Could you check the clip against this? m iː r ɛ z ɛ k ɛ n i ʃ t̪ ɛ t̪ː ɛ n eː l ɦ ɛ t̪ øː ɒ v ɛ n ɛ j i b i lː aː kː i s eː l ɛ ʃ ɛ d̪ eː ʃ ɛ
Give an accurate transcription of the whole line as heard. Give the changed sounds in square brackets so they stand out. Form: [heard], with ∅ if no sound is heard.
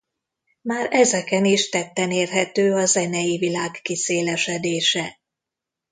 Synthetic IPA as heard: m [aː] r ɛ z ɛ k ɛ n i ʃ t̪ ɛ t̪ː ɛ n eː [r] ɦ ɛ t̪ øː ɒ [z] ɛ n ɛ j i [v] i [l] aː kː i s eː l ɛ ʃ ɛ d̪ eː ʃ ɛ